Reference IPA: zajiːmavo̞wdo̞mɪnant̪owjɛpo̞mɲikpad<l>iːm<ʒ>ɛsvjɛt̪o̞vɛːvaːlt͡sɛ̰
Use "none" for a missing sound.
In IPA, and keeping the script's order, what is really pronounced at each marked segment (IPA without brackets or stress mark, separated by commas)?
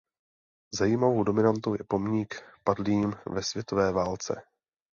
l, v